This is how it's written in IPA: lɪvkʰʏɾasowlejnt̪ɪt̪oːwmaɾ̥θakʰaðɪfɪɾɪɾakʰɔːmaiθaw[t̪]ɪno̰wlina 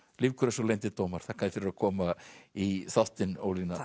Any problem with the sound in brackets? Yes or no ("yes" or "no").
no